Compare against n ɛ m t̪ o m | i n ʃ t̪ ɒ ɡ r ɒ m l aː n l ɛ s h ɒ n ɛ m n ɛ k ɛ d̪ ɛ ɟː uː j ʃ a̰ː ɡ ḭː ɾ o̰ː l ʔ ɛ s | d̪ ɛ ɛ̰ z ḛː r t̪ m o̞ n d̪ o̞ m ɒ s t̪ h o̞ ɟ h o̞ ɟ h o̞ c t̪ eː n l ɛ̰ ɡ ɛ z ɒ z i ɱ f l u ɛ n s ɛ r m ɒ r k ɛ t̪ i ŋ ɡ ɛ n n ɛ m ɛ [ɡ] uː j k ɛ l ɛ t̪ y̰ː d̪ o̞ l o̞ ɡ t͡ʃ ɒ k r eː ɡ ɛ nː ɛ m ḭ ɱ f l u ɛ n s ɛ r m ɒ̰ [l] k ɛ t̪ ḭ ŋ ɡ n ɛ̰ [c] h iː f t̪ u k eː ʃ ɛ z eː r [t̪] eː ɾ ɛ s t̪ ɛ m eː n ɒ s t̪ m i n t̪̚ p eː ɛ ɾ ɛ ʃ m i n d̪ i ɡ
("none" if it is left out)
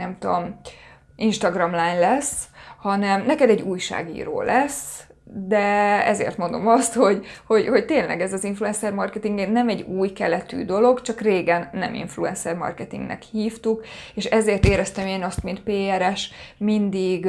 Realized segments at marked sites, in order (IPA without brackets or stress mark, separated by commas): ɟ, r, k, t̪